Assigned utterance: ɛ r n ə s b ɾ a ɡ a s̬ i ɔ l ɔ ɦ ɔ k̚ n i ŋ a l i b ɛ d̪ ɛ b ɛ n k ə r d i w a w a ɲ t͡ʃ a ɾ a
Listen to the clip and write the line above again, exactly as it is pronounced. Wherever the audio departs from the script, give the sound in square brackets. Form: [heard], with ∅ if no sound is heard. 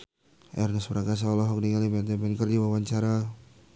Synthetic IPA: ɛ r n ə s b ɾ a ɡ a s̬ [a] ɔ l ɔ ɦ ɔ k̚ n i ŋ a l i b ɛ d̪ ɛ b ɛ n k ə r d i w a w a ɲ t͡ʃ a ɾ a